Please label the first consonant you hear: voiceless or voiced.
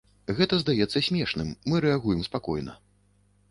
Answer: voiced